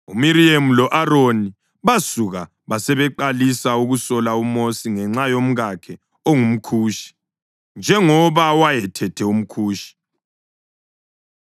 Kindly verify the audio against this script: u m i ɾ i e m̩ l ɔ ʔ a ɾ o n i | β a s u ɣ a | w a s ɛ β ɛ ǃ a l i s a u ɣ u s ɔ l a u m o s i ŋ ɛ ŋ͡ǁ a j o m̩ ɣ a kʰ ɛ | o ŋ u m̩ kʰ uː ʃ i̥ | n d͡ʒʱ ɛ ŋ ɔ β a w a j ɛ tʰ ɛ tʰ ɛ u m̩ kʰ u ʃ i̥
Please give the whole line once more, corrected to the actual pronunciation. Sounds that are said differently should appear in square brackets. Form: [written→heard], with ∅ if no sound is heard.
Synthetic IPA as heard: u m i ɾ i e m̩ l ɔ ʔ a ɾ o n i | β a s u ɣ a | [w→β] a s ɛ β ɛ ǃ a l i s a u ɣ u s ɔ l a u m o s i ŋ ɛ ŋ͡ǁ a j o m̩ ɣ a kʰ ɛ | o ŋ u m̩ kʰ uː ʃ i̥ | n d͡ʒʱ ɛ ŋ ɔ β a w a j ɛ tʰ ɛ tʰ ɛ u m̩ kʰ [u→uː] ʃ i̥